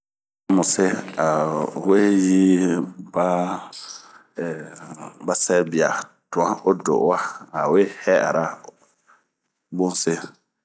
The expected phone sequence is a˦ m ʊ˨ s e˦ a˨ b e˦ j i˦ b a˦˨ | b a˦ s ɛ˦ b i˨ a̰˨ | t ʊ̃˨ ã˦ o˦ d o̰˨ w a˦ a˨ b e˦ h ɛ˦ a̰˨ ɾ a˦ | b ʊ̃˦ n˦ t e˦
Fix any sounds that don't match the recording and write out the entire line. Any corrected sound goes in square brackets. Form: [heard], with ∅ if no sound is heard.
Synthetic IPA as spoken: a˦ m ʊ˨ s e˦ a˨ [w] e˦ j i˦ b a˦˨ | b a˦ s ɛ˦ b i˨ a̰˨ | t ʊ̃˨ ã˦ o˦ d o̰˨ w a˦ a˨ [w] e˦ h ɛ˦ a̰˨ ɾ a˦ | b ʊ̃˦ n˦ [s] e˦